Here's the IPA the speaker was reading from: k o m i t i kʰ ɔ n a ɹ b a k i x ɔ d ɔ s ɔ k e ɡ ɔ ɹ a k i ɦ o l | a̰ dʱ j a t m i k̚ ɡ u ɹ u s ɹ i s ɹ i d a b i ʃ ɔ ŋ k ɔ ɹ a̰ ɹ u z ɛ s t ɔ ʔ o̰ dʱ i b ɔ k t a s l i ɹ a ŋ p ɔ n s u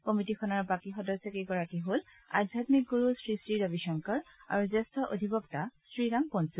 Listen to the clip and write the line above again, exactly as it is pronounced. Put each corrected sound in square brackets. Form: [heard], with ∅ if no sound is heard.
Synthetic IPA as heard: k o m i t i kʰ ɔ n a ɹ b a k i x ɔ d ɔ s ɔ k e ɡ ɔ ɹ a k i ɦ o l | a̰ dʱ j a t m i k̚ ɡ u ɹ u s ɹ i s ɹ i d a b i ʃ ɔ ŋ k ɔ ɹ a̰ ɹ u z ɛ s t ɔ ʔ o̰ dʱ i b ɔ k t a s [ɹ] i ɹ a ŋ p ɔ n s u